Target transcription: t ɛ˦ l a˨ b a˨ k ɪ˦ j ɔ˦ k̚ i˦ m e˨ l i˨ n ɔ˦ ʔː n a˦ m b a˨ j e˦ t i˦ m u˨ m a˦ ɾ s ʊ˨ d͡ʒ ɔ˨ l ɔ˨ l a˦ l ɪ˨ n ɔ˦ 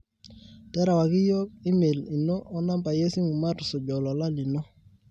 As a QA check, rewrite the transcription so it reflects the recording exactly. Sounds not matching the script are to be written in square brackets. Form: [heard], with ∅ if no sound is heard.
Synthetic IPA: t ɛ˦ [ɾ] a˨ [w] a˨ k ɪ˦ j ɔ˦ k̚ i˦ m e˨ l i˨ n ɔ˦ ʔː n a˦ m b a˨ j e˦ [s] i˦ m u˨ m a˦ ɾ s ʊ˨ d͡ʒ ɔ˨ l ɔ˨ l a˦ l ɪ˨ n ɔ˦

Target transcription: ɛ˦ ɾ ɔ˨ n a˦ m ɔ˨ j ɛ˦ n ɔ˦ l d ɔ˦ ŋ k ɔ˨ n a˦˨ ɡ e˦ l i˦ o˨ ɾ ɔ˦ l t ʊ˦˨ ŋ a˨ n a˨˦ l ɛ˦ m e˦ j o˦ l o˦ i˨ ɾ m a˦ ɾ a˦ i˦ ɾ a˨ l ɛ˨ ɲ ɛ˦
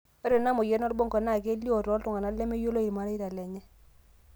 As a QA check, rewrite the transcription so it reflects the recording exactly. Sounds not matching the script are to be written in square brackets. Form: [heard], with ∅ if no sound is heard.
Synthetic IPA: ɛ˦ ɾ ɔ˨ n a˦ m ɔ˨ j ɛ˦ n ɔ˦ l [b] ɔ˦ ŋ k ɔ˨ n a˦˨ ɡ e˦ l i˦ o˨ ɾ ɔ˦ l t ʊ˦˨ ŋ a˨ n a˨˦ l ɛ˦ m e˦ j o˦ l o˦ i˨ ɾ m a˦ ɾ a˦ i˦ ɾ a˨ l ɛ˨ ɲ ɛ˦

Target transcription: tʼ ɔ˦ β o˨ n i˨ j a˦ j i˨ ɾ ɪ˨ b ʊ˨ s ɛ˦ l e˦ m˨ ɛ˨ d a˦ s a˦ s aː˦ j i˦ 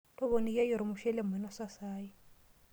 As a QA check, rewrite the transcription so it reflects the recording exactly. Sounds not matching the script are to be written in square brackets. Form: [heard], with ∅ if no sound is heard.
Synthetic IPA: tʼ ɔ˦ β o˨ n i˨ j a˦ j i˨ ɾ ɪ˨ [m] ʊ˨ [ʃ] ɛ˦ l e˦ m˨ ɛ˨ [n] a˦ s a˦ s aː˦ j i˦

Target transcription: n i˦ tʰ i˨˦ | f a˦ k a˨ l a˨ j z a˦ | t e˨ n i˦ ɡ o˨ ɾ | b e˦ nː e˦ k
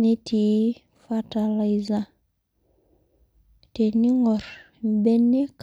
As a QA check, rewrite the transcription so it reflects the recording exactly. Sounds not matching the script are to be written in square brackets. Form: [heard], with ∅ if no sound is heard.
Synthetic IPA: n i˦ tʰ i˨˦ | f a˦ [t] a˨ l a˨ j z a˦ | t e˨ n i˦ [ŋ] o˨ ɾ | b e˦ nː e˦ k

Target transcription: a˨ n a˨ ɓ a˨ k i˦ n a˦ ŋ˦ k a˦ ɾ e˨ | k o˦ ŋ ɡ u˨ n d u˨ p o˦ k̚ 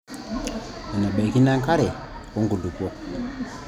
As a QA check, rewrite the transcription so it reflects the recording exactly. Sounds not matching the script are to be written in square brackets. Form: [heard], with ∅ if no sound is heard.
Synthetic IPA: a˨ n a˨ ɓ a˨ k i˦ n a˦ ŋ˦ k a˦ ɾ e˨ | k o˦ ŋ ɡ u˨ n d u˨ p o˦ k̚

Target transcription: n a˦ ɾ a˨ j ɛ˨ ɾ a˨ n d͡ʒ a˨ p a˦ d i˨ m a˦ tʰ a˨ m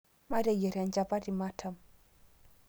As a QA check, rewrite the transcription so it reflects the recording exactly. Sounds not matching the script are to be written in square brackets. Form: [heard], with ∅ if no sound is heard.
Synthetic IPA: [m] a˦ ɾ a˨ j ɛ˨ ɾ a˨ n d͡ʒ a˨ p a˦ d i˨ m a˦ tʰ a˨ m

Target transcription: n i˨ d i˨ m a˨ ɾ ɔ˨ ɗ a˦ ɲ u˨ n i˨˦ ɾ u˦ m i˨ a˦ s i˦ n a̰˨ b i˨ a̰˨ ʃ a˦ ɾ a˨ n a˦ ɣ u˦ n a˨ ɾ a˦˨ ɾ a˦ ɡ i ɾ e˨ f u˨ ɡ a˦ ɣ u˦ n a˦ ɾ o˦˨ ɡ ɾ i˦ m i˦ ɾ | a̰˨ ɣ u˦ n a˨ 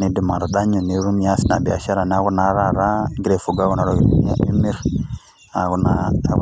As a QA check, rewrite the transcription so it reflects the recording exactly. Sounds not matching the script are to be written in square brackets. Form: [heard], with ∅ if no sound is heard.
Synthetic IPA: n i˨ d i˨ m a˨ ɾ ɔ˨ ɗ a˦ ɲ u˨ n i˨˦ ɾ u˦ m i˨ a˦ s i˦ n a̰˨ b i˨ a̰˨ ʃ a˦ ɾ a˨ n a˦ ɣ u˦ n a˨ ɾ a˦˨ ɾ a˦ ɡ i ɾ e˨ f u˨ ɡ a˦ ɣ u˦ n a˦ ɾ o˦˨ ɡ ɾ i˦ m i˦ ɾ | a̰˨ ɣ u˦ n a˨

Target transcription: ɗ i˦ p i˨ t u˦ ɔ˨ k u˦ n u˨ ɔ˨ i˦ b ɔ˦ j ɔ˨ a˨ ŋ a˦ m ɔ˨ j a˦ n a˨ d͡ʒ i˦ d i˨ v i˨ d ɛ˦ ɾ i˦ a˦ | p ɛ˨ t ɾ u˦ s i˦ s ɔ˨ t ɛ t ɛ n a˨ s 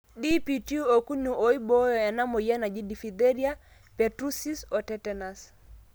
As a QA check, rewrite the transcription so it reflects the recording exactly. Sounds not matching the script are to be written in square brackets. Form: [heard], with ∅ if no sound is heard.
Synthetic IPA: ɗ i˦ p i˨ t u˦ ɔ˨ k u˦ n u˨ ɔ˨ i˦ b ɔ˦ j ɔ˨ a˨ [n] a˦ m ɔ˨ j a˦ n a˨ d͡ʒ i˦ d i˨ [f] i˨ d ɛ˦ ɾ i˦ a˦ | p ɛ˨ t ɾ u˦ s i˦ s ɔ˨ t ɛ t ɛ n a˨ s

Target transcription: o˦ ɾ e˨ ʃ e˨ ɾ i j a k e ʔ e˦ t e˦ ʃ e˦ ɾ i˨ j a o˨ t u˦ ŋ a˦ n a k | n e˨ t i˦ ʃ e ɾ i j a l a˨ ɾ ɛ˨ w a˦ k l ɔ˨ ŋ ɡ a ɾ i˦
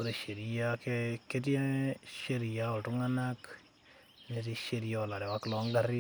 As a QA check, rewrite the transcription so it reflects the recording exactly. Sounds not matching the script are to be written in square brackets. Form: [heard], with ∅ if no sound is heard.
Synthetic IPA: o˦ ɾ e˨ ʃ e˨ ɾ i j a k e [k] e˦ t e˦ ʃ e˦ ɾ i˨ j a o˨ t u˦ ŋ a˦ n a k | n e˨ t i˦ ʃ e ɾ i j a l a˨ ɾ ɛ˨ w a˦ k l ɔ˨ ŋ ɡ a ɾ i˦

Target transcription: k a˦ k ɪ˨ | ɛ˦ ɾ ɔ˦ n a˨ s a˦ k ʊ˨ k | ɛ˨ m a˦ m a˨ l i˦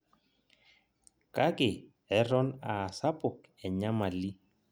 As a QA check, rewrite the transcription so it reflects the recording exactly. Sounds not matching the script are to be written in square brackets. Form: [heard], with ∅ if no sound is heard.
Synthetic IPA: k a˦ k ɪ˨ | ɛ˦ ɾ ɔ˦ n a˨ s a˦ [p] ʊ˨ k | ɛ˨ [ɲ] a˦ m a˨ l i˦

